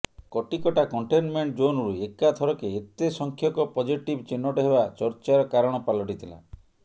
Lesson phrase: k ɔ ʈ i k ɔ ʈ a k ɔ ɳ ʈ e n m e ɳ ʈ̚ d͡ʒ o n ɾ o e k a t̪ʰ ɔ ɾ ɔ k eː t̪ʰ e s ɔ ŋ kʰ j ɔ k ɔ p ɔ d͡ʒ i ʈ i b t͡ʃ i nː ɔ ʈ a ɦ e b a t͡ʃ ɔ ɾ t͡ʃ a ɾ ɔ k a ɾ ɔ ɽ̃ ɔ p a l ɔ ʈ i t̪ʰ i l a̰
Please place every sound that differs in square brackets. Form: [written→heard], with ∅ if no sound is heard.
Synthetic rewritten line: k ɔ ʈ i k ɔ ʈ a k ɔ ɳ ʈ e n m e ɳ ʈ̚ d͡ʒ o n ɾ [o→u] e k a t̪ʰ ɔ ɾ ɔ k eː [t̪ʰ→t̪] e s ɔ ŋ kʰ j ɔ k ɔ p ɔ d͡ʒ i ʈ i b t͡ʃ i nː ɔ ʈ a ɦ e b a t͡ʃ ɔ ɾ t͡ʃ a ɾ ɔ k a ɾ ɔ ɽ̃ ɔ p a l ɔ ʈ i t̪ʰ i l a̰